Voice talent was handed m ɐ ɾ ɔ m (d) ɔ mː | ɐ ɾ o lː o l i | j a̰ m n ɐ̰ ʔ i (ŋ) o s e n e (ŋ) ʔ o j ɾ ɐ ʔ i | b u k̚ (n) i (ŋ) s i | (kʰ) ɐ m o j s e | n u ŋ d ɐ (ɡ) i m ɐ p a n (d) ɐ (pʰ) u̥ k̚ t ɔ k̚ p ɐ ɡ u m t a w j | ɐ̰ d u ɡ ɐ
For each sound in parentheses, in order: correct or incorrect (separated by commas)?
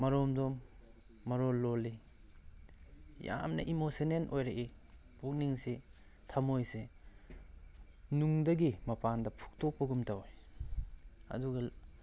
correct, incorrect, incorrect, correct, correct, incorrect, correct, correct, correct